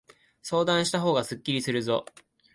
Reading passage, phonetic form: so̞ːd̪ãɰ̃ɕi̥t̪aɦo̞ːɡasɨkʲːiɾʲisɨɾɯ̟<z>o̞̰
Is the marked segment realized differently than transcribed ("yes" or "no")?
no